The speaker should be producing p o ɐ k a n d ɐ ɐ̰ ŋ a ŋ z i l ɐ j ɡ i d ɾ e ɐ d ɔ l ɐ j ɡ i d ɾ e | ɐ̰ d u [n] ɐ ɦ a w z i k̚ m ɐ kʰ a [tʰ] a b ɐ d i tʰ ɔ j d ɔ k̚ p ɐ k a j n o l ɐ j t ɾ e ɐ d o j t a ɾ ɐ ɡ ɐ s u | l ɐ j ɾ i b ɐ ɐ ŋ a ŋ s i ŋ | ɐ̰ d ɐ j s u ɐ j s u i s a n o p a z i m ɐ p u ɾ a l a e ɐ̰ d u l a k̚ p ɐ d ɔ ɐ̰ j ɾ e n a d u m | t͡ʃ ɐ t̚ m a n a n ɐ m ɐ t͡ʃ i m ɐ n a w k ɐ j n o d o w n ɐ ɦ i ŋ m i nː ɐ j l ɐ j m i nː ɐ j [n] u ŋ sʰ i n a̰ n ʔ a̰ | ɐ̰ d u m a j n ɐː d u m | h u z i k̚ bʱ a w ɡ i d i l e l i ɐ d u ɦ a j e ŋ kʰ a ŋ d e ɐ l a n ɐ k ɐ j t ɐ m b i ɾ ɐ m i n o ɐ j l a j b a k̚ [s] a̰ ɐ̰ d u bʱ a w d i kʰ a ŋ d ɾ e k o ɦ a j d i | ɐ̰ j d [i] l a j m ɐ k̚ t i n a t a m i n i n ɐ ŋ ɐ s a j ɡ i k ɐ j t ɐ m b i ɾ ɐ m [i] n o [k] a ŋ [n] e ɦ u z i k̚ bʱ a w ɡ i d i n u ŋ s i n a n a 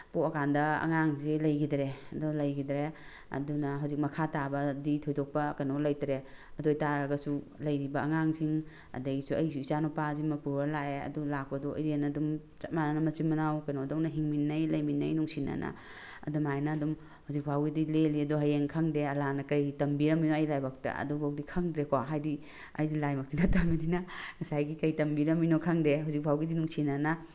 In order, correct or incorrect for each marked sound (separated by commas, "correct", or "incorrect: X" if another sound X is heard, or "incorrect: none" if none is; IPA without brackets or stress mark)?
correct, incorrect: t, correct, incorrect: t, correct, correct, incorrect: kʰ, incorrect: d